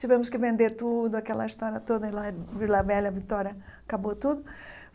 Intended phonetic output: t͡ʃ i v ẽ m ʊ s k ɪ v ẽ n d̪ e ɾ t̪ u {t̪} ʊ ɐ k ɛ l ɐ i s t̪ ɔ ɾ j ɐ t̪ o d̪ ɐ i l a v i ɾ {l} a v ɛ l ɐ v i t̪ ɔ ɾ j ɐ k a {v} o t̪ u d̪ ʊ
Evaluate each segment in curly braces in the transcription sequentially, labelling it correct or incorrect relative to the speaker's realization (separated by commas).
incorrect, correct, incorrect